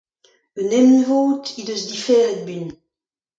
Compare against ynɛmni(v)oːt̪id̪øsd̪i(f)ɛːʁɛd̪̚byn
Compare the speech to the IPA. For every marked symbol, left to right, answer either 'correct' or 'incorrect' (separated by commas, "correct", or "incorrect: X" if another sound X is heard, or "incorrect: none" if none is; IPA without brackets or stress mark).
correct, correct